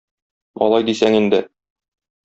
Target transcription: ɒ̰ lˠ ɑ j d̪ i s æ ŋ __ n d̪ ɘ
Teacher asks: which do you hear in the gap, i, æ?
i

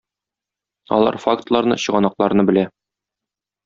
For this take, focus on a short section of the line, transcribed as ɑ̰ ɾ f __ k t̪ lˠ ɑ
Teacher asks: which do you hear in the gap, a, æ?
a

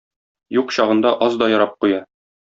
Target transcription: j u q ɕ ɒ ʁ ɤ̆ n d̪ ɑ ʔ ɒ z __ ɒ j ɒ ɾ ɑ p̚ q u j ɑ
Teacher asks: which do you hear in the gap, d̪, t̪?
d̪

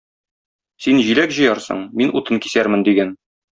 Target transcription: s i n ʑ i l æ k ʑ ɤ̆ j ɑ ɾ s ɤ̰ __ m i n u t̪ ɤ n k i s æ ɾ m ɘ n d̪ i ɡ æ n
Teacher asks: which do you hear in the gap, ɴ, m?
ɴ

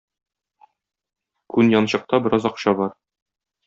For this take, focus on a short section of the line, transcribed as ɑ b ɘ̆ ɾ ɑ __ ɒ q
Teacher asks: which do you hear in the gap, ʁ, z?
z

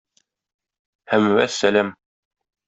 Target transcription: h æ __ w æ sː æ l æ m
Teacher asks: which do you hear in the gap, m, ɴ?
m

